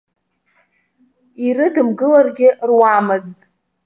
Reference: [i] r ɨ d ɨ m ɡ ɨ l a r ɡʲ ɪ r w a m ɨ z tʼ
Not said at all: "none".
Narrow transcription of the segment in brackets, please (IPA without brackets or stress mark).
i